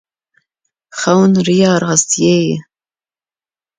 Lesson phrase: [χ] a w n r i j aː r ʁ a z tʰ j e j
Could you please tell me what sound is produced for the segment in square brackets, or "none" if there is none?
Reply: χ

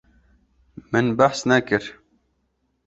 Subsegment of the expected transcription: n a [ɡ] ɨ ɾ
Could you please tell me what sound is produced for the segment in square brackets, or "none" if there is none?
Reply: k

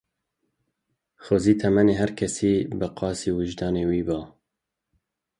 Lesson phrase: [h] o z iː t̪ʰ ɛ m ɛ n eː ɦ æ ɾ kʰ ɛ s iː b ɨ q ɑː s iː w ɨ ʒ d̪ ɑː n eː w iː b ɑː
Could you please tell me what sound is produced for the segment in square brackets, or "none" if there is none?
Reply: x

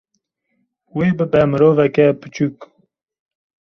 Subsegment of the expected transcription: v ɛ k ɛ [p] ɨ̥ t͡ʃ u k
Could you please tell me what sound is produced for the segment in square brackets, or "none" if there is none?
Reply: p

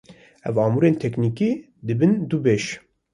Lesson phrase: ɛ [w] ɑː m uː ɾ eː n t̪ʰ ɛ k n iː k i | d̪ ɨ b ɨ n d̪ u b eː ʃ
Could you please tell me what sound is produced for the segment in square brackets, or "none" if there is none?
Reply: v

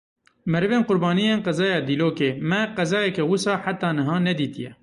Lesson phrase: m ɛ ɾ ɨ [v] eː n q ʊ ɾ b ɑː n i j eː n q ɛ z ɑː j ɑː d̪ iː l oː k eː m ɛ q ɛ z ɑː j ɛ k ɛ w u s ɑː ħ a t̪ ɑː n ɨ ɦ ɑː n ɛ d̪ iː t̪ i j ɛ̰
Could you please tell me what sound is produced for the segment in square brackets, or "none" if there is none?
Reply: v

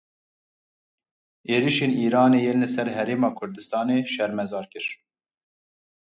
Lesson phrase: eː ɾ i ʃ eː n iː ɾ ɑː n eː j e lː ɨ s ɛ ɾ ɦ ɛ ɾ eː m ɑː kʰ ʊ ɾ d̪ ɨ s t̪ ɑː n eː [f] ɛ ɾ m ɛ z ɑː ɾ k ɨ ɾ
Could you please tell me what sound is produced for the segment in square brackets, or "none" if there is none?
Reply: ʃ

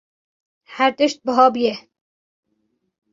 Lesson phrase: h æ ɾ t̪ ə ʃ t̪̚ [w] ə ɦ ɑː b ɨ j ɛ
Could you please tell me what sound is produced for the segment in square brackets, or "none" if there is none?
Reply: b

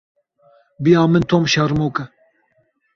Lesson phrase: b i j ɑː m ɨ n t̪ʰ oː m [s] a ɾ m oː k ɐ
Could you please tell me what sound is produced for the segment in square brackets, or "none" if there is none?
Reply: ʃ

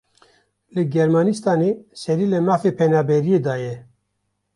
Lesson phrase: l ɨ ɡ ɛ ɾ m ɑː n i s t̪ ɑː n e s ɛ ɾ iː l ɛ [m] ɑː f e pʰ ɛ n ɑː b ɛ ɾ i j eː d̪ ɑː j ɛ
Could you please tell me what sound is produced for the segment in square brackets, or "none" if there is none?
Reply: m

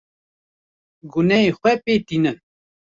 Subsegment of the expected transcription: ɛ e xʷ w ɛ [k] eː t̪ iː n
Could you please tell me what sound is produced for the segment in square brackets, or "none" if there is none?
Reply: p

